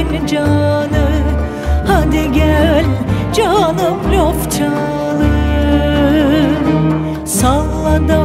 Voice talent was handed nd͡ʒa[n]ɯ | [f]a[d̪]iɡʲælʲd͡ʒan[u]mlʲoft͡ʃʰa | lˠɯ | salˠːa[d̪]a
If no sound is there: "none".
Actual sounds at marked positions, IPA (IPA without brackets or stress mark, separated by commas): n, h, d̪, ɯ, d̪